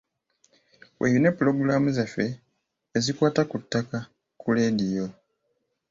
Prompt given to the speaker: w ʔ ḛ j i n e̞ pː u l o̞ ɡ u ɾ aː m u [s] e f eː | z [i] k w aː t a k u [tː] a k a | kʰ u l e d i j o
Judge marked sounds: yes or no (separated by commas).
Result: no, yes, yes